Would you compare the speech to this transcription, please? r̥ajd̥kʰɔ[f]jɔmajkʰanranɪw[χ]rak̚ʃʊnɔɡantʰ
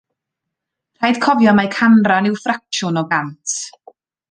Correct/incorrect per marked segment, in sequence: incorrect: v, incorrect: f

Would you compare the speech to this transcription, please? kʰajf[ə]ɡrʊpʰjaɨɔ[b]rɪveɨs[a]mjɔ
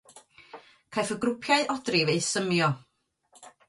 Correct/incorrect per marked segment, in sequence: correct, incorrect: d, incorrect: ə

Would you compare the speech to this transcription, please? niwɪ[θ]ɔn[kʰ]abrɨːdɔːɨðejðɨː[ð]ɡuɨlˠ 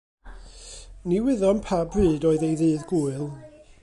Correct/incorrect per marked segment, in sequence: incorrect: ð, incorrect: pʰ, correct

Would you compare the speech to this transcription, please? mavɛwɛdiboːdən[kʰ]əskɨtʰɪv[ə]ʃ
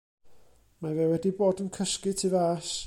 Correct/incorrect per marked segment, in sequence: correct, incorrect: a

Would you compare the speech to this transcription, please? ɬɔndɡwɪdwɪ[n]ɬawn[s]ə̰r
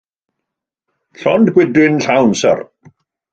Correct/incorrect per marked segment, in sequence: correct, correct

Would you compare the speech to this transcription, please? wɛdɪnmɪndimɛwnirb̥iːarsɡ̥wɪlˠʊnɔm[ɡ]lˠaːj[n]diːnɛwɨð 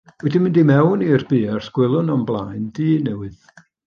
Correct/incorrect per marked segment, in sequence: incorrect: b, correct

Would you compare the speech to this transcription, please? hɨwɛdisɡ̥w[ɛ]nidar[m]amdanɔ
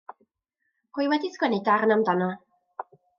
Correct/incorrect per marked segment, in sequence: correct, incorrect: n

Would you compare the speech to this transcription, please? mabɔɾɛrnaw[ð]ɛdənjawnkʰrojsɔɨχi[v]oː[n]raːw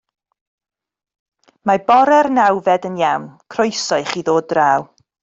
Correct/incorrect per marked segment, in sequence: incorrect: v, incorrect: ð, incorrect: d

